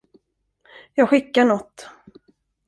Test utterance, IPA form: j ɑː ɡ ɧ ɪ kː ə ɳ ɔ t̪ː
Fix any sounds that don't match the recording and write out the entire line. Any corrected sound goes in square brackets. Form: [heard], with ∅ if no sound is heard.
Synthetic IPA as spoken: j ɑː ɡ ɧ ɪ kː [a] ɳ ɔ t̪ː